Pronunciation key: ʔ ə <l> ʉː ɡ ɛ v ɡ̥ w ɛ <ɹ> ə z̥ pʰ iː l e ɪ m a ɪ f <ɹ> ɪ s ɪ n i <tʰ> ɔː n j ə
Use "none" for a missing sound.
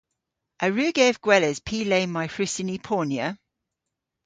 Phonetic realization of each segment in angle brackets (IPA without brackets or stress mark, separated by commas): ɹ, l, ɹ, pʰ